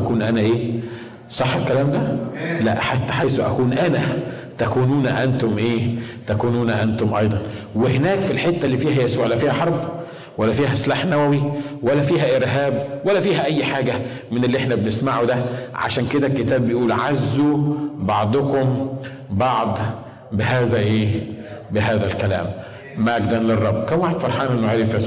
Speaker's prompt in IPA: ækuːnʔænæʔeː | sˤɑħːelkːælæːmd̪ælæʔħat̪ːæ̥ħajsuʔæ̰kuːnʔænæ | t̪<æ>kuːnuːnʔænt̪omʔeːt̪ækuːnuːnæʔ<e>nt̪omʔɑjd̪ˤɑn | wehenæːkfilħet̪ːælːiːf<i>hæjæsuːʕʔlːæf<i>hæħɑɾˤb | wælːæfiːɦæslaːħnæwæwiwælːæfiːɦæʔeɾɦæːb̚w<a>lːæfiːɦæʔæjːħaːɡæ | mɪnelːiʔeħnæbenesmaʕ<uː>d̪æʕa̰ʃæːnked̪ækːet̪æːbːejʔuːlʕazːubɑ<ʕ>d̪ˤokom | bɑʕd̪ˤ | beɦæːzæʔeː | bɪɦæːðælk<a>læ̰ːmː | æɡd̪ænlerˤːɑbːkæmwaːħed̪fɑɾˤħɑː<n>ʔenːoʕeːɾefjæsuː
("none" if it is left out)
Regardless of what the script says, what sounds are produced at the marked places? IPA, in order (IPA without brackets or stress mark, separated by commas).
æ, æ, iː, iː, æ, u, ʕ, æ, n